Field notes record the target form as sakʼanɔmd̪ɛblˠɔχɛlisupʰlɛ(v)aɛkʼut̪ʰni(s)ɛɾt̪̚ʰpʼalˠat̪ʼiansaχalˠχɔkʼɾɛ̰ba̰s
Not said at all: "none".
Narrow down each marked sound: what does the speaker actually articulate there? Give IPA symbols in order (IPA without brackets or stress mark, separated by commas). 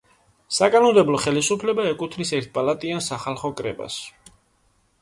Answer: b, s